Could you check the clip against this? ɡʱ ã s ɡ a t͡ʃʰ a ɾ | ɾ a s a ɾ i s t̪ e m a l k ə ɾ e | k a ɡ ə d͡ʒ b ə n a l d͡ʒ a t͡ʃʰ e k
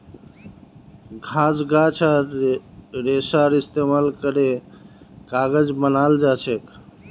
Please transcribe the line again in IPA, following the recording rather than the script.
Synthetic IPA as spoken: ɡʱ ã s ɡ a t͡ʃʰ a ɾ | ɾ e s a ɾ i s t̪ e m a l k ə ɾ e | k a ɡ ə d͡ʒ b ə n a l d͡ʒ a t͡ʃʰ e k